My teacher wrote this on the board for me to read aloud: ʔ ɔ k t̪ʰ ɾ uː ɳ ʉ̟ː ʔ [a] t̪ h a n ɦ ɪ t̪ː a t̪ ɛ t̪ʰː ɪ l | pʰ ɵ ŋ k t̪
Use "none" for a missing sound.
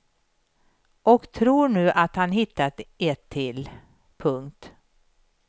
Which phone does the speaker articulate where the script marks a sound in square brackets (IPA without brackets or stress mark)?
a